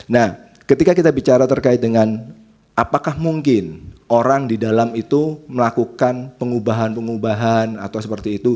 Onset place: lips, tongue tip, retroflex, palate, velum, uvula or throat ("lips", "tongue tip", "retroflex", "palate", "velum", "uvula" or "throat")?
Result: tongue tip